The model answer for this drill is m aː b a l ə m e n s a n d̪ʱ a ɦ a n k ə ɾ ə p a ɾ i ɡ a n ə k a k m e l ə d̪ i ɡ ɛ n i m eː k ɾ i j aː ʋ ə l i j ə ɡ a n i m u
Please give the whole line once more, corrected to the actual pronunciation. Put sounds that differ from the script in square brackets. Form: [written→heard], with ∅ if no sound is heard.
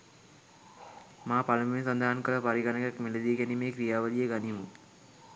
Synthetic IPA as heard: m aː [b→p] a l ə m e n s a n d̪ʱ a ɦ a n k ə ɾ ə p a ɾ i ɡ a n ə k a k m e l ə d̪ i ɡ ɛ n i m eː k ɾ i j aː ʋ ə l i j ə ɡ a n i m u

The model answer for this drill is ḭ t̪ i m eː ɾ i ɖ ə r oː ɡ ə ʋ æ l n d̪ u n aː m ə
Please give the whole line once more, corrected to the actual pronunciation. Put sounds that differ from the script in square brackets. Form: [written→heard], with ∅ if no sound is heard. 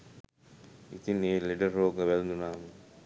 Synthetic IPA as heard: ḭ t̪ i [m→n] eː [ɾ→l] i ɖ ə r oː ɡ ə ʋ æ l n d̪ u n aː m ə

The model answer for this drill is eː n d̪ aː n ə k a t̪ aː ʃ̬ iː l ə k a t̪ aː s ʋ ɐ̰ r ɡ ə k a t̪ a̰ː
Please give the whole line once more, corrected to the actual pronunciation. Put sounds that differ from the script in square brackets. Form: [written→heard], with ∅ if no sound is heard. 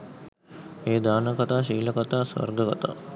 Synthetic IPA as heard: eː [n→∅] d̪ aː n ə k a t̪ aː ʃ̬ iː l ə k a t̪ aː s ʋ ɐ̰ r ɡ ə k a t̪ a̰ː

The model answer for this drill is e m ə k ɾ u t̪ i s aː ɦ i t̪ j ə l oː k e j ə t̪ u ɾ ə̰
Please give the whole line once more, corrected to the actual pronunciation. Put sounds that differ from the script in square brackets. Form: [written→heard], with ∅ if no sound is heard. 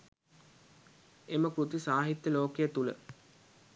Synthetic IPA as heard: e m ə k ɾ u t̪ i s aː ɦ i t̪ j ə l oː k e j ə t̪ u [ɾ→l] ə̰

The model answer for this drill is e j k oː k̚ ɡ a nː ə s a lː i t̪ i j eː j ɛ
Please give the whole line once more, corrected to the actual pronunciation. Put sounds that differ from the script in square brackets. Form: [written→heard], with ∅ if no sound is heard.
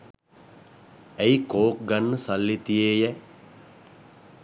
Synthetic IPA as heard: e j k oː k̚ ɡ a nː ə s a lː i t̪ i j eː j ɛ

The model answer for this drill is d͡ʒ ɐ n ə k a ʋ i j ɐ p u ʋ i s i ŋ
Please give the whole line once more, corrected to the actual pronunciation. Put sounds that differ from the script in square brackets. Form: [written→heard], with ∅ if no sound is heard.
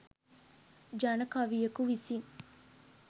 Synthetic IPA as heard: d͡ʒ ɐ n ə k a ʋ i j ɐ [p→k] u ʋ i s i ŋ

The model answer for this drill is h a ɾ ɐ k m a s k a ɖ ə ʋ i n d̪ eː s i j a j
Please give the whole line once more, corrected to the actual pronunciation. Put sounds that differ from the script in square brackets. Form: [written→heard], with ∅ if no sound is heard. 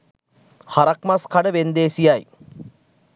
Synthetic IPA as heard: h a ɾ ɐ k m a s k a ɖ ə ʋ [i→e] n d̪ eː s i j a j

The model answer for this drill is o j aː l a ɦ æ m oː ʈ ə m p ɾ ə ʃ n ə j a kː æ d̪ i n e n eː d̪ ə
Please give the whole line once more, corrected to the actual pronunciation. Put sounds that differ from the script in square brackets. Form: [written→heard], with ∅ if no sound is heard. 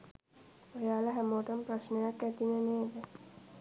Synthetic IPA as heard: o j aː l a ɦ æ m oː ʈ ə m p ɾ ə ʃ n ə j a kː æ [d̪→t̪] i n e n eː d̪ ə

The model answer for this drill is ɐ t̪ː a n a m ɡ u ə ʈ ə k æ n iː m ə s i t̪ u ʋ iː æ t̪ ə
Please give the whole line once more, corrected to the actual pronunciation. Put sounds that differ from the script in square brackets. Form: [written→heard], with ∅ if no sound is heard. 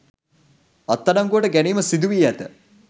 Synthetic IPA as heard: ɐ t̪ː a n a [m→ŋ] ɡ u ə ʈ ə [k→ɡ] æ n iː m ə s i [t̪→d̪] u ʋ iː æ t̪ ə

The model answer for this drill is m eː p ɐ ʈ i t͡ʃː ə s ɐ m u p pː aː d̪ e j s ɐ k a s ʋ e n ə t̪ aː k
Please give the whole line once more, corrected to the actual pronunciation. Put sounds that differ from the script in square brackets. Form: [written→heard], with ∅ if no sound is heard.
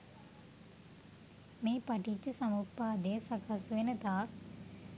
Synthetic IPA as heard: m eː p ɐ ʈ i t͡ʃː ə s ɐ m u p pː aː d̪ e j s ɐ k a s ʋ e n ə t̪ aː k

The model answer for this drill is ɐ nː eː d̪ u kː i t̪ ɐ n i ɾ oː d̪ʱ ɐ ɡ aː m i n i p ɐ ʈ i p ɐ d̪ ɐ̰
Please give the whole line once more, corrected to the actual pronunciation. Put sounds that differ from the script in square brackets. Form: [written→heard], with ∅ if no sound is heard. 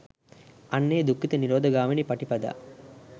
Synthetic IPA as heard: ɐ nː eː d̪ u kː i t̪ ɐ n i ɾ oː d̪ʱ ɐ ɡ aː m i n i p ɐ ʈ i p ɐ d̪ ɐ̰

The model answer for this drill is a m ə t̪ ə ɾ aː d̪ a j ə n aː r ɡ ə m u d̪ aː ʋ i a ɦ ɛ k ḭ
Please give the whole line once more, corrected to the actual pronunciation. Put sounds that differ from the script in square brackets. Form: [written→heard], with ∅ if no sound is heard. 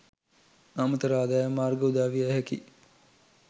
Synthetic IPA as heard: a m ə t̪ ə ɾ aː d̪ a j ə [n→m] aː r ɡ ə [m→∅] u d̪ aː ʋ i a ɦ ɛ k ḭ

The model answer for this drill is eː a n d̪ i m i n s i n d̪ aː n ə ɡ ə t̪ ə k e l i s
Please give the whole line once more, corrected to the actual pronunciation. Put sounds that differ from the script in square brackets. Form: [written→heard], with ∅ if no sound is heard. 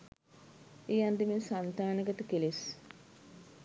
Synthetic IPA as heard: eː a n d̪ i m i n s [i→a] n [d̪→t̪] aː n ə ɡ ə t̪ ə k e l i s

